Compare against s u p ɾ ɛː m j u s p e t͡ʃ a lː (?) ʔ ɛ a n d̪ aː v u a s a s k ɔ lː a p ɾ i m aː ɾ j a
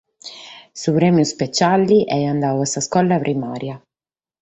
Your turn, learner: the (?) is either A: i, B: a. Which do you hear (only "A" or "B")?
A